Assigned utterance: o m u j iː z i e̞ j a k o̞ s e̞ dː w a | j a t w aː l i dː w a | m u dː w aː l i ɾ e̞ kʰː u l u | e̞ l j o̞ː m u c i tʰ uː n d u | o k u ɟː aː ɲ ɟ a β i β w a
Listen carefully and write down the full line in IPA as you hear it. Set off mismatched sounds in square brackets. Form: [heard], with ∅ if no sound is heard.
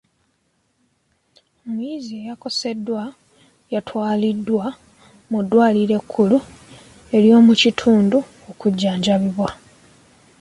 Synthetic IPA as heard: o m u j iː z i e̞ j a k o̞ s e̞ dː w a | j a t w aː l i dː w a | m u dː w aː l i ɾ e̞ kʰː u l u | e̞ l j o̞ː m u c i tʰ uː n d u | o k u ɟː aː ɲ ɟ a β i β w a